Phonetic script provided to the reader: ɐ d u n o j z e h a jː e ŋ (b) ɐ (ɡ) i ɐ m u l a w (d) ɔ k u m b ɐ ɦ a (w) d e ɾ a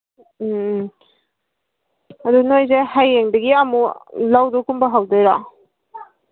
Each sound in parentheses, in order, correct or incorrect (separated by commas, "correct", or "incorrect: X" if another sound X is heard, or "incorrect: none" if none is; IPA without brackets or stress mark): incorrect: d, correct, correct, correct